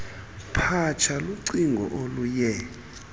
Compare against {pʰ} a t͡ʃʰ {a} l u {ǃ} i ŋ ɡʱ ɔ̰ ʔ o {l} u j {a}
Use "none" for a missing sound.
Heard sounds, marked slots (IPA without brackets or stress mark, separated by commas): pʰ, a, ǀ, l, ɛ